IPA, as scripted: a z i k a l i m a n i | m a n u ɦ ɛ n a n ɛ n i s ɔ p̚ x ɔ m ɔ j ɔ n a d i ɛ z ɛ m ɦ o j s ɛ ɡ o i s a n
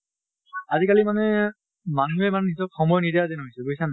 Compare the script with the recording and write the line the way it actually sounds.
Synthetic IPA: a z i k a l i m a n ɛ | m a n u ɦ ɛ m a n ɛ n i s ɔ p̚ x ɔ m ɔ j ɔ n i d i a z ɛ n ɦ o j s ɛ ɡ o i s a n